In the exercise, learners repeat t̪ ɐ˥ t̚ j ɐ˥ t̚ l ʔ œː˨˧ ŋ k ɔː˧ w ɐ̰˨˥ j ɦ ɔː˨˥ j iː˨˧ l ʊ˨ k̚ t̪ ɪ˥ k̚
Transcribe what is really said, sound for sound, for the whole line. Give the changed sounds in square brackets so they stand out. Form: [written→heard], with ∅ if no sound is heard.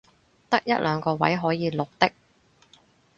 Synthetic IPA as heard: t̪ ɐ˥ [t̚→k̚] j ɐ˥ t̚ l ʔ œː˨˧ ŋ k ɔː˧ w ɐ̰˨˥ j ɦ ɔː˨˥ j iː˨˧ l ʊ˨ k̚ t̪ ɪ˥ k̚